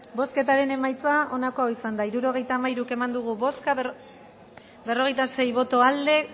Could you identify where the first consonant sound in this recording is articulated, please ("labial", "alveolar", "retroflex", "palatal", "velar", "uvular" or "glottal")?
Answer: labial